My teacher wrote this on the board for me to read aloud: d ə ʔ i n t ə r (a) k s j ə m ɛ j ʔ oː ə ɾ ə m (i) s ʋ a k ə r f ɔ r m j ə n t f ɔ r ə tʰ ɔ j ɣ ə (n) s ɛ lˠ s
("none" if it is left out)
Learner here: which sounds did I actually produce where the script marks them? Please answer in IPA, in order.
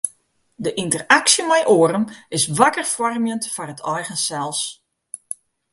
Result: a, ɪ, n

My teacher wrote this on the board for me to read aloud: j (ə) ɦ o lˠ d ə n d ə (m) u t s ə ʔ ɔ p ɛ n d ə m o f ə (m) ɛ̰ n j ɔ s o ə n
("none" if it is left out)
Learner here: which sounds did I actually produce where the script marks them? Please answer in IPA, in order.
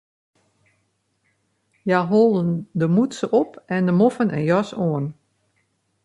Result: a, m, n

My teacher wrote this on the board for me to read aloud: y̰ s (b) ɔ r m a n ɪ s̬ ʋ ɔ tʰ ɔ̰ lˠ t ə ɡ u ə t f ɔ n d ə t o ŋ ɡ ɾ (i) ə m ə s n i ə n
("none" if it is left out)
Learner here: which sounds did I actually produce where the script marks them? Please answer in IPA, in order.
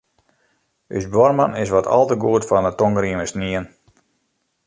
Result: b, i

